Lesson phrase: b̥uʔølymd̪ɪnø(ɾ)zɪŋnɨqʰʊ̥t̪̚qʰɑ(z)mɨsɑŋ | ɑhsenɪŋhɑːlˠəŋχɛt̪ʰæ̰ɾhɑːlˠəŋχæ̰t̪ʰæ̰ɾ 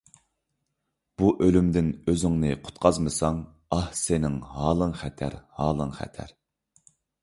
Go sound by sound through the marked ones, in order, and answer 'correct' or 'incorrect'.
incorrect: none, correct

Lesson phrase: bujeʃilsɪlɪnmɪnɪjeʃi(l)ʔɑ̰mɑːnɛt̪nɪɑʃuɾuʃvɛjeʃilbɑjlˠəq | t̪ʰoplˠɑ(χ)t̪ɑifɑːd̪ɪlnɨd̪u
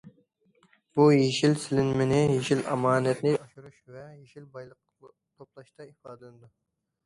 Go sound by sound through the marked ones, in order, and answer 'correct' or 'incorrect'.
correct, incorrect: ʃ

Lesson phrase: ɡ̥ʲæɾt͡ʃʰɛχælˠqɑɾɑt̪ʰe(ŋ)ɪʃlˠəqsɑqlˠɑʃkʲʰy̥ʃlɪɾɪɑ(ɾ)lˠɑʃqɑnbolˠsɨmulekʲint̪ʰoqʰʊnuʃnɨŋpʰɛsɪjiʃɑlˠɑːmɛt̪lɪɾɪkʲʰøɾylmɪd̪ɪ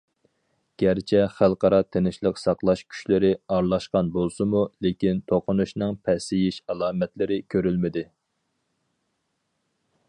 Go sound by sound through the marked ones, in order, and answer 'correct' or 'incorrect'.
incorrect: n, correct

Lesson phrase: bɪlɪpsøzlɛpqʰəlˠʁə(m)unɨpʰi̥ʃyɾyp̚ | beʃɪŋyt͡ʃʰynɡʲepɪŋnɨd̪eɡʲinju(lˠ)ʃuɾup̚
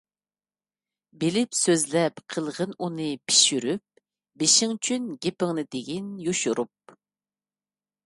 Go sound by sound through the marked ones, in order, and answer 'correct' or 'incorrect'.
incorrect: n, incorrect: none

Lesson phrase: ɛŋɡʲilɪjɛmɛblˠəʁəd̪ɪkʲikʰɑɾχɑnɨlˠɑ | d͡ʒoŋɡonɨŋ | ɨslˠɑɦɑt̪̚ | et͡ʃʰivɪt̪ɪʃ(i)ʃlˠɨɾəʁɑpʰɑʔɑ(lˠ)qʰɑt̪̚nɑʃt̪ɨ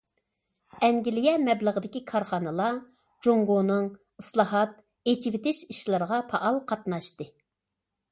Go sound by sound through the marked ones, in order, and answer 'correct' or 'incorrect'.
correct, correct

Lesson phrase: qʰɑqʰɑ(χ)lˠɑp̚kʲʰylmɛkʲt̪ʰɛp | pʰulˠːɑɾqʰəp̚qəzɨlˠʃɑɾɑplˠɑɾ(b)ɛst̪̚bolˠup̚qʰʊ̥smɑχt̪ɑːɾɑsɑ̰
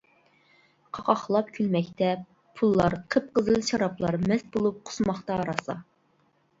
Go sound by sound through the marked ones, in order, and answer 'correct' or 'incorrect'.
correct, incorrect: m

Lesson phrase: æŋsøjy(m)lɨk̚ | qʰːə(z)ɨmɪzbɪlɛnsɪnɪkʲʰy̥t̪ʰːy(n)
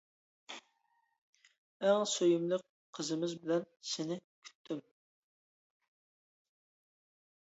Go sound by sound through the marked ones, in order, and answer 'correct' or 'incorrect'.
correct, correct, incorrect: m

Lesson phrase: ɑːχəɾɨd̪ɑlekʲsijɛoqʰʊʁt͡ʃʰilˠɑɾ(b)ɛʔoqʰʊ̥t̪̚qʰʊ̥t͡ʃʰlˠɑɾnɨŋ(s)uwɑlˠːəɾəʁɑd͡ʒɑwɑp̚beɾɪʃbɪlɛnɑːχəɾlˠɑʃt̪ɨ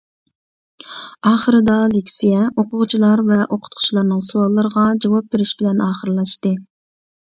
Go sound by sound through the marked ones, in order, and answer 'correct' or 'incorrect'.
incorrect: v, correct

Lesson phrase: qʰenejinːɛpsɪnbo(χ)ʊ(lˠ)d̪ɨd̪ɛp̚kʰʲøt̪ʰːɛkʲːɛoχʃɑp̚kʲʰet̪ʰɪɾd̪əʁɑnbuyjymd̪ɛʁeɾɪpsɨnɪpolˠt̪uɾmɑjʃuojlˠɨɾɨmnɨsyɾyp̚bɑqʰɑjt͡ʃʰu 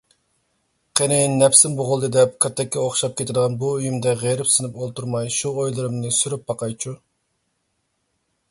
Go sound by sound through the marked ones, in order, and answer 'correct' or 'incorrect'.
incorrect: ʁ, correct

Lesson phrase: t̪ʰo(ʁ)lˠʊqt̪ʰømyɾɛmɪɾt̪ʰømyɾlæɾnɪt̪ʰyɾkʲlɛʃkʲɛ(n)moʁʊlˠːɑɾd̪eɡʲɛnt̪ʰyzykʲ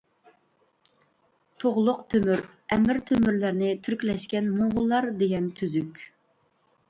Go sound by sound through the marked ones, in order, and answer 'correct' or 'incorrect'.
correct, correct

